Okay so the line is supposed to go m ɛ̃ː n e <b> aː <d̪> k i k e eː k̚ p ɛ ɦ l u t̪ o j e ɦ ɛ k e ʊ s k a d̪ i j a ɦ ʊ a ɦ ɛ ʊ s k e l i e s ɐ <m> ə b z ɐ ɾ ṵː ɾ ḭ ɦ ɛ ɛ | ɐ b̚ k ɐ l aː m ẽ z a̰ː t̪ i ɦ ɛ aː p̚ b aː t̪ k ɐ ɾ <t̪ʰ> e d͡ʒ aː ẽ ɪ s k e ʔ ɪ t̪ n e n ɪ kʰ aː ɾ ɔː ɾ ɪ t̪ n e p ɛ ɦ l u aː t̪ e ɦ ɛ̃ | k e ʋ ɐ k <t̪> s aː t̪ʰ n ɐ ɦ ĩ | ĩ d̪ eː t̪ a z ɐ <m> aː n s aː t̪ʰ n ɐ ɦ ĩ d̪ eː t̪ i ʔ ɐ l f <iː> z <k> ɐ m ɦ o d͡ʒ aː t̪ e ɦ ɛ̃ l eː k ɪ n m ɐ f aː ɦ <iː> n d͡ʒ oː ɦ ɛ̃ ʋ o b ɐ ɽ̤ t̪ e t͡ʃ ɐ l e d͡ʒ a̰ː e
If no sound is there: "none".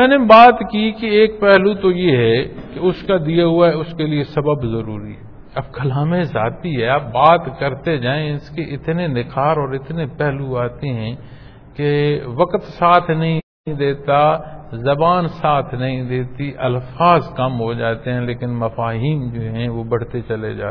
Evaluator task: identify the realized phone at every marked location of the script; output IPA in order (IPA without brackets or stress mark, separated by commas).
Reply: b, t̪, b, t̪, t̪, b, aː, k, iː